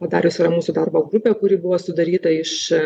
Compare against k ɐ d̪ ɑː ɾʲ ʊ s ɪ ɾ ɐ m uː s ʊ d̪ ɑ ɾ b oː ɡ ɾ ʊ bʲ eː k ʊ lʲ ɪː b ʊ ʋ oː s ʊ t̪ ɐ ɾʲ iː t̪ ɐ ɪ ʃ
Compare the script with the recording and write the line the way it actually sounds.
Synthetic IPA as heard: p ɐ d̪ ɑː ɾʲ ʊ s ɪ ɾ ɐ m uː s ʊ d̪ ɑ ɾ b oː ɡ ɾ ʊ pʲ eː k ʊ ɾʲ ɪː b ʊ ʋ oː s ʊ d̪ ɐ ɾʲ iː t̪ ɐ ɪ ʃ